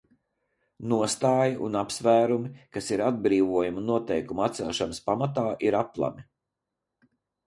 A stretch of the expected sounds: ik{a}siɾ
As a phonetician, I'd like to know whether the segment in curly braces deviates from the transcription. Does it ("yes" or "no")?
no